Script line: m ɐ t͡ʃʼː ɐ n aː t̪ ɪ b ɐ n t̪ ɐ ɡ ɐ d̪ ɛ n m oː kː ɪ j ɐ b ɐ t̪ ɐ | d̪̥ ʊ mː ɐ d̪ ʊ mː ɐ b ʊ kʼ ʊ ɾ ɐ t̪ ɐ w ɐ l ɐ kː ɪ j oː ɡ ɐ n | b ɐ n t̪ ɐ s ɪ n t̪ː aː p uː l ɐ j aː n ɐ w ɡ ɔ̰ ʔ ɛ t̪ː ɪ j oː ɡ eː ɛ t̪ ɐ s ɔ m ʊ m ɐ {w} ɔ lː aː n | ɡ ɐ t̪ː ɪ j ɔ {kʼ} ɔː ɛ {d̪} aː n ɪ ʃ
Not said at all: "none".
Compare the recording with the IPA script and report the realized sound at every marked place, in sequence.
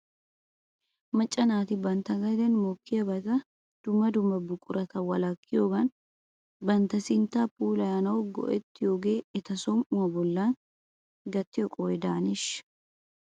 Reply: b, kʼ, d̪

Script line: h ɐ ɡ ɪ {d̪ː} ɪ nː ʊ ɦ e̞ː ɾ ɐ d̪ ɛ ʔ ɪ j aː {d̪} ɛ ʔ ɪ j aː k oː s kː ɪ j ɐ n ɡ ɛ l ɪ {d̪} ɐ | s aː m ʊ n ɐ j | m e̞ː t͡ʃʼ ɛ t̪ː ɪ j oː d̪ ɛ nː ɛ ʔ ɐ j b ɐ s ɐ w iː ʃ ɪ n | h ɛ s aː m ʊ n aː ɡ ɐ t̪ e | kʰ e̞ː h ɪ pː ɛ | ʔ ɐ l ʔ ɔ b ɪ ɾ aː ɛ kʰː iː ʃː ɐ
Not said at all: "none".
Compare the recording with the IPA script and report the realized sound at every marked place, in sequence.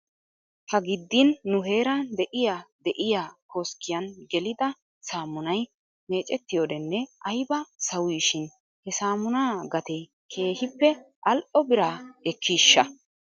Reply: d̪ː, d̪, d̪

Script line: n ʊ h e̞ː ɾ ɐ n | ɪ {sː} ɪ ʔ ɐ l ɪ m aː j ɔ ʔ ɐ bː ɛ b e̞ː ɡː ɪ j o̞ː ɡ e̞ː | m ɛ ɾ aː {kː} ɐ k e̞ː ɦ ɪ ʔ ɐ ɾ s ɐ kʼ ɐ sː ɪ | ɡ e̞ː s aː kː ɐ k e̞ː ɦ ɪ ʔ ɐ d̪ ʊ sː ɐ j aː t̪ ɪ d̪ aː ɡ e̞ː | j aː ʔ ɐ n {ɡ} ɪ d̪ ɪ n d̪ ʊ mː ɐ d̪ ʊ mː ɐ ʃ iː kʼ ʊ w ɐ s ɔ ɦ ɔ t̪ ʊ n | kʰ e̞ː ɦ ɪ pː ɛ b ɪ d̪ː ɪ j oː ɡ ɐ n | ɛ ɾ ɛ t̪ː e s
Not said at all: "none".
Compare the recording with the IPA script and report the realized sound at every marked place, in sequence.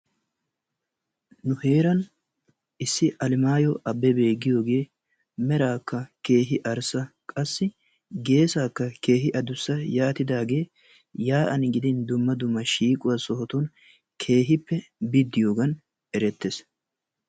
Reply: sː, kː, ɡ

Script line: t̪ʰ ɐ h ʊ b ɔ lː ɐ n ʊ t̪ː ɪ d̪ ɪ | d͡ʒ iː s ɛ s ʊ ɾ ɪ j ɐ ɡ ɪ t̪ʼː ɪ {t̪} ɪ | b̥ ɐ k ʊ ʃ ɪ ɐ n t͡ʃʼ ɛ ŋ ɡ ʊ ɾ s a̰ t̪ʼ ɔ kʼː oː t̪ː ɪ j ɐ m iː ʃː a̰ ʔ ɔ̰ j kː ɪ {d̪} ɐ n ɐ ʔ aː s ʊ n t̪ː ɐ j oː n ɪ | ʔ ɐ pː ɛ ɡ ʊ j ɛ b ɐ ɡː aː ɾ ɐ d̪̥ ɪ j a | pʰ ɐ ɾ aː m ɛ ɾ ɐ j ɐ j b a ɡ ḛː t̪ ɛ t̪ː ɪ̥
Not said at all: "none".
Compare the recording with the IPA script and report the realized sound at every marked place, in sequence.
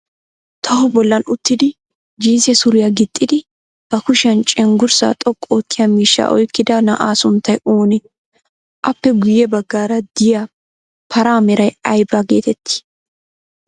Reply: d̪, d̪

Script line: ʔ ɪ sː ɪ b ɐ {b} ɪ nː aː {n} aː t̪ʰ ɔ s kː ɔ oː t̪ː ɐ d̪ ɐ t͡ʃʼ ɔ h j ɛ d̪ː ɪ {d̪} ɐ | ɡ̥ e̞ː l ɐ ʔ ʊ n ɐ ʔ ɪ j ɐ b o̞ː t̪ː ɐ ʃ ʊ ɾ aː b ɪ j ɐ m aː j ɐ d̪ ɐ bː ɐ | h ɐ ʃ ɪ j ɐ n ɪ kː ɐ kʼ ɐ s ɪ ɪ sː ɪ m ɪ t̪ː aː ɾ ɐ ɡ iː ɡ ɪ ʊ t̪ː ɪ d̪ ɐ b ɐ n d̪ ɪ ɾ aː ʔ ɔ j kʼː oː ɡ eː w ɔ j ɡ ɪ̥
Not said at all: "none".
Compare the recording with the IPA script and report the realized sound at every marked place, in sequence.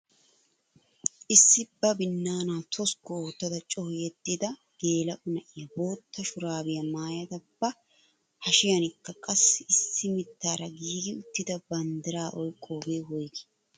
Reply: b, n, d̪

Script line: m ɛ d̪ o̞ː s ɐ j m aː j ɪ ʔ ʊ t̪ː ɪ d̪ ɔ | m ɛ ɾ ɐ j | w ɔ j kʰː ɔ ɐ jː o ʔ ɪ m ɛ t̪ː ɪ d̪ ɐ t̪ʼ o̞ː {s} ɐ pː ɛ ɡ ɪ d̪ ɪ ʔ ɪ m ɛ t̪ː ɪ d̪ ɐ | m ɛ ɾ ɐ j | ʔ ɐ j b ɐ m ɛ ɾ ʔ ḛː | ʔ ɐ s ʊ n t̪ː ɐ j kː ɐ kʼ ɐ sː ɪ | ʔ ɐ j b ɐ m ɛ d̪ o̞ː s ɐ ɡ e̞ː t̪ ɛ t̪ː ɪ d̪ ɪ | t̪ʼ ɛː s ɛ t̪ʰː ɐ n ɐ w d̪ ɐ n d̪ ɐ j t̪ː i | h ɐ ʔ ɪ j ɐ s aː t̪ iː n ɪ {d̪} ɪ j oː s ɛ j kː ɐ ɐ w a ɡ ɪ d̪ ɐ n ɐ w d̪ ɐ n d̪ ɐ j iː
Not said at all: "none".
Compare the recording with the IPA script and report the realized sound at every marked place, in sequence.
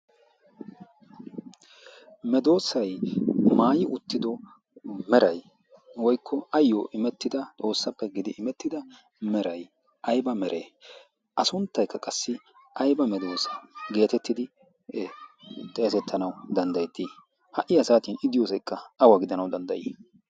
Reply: sː, d̪

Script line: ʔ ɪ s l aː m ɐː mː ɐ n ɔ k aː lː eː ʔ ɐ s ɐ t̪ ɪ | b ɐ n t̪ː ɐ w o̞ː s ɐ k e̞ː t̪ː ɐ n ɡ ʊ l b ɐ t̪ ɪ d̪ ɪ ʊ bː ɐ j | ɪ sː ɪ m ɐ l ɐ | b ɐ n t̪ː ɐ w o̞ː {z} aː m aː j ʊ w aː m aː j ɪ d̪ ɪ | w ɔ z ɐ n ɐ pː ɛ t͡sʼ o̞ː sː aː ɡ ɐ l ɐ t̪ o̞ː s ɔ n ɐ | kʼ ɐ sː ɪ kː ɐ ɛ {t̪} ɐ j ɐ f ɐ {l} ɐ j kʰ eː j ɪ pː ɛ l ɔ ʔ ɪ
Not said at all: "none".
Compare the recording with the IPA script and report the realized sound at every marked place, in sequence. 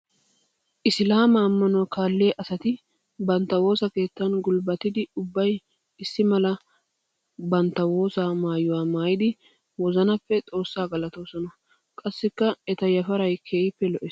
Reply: s, t̪, ɾ

